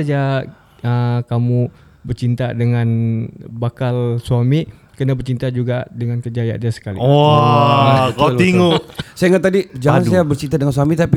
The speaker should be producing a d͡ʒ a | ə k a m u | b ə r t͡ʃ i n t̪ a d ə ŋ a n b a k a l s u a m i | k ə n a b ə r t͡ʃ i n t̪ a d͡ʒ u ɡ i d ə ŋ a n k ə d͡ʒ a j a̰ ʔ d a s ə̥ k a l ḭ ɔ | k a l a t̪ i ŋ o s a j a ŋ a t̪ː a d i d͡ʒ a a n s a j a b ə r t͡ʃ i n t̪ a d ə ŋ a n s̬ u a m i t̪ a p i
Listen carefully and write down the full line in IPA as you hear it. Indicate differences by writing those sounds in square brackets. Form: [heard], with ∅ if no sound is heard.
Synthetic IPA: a d͡ʒ a | ə k a m u | b ə r t͡ʃ i n t̪ a d ə ŋ a n b a k a l s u a m i | k ə n a b ə r t͡ʃ i n t̪ a d͡ʒ u ɡ [a] d ə ŋ a n k ə d͡ʒ a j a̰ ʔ d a s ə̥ k a l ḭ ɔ | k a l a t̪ i ŋ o s a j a ŋ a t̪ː a d i d͡ʒ a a n s a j a b ə r t͡ʃ i n t̪ a d ə ŋ a n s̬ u a m i t̪ a p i